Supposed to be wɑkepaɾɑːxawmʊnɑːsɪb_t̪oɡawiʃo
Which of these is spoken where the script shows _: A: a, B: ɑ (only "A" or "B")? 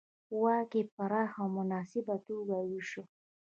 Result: A